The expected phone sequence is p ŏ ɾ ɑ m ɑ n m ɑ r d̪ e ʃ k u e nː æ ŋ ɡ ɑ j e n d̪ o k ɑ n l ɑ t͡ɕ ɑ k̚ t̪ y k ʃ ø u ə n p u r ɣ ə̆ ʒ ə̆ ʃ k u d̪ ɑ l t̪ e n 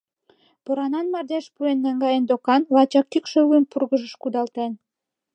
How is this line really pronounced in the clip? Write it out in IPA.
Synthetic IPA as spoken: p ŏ ɾ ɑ n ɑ n m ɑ r d̪ e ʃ p u e nː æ ŋ ɡ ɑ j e n d̪ o k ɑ n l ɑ t͡ɕ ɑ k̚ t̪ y k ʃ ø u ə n p u r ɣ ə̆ ʒ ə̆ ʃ k u d̪ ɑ l t̪ e n